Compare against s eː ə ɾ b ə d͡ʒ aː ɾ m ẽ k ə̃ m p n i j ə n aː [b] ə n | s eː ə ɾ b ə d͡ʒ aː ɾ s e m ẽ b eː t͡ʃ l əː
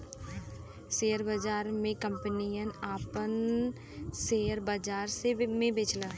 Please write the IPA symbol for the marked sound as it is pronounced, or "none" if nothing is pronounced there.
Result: p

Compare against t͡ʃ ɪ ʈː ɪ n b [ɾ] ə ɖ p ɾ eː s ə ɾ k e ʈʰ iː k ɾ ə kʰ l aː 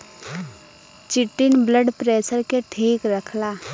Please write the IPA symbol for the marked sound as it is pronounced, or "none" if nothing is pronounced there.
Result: l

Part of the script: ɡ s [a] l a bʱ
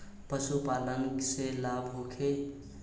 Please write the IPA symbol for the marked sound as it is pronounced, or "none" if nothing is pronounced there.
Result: e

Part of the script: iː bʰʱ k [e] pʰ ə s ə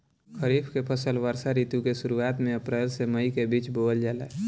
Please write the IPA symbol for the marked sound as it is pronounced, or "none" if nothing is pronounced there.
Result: e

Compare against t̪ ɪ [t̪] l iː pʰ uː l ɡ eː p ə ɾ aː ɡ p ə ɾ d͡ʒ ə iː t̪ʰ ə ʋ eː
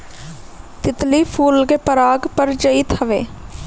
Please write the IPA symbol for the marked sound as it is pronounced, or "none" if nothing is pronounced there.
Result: t̪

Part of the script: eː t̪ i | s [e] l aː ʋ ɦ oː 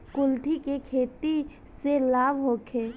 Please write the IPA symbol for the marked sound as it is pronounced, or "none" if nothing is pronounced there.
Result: e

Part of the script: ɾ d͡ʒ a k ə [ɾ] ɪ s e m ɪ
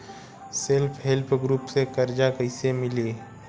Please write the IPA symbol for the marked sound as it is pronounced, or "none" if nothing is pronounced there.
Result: none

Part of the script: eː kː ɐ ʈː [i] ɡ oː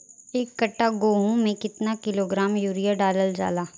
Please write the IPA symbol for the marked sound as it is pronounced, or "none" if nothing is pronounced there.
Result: a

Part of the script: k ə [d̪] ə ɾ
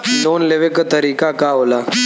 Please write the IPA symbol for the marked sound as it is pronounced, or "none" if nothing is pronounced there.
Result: t̪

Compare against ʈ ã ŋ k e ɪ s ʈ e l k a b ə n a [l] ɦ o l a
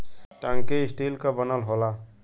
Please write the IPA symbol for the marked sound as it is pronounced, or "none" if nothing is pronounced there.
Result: l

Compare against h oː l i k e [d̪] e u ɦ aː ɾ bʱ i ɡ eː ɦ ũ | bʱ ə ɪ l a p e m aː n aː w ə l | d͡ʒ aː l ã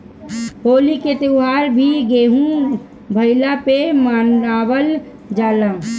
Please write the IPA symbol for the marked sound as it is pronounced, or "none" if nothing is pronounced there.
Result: t̪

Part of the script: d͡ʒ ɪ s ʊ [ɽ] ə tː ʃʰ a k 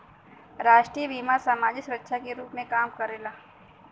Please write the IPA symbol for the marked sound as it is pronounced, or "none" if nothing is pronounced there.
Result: ɾ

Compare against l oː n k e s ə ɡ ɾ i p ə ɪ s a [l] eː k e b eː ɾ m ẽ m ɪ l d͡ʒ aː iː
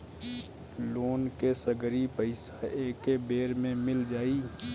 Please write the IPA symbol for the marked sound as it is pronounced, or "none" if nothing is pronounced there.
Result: none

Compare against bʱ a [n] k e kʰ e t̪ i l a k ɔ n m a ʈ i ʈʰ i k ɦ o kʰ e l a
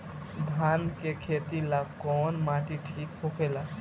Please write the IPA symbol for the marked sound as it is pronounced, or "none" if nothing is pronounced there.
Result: n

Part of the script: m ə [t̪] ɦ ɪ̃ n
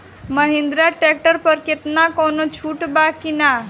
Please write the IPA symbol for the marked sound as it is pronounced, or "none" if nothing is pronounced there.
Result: none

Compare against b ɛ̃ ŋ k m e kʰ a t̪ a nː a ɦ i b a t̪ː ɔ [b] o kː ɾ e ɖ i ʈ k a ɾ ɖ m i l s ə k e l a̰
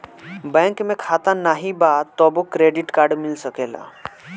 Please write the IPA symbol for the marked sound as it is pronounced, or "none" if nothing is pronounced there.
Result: b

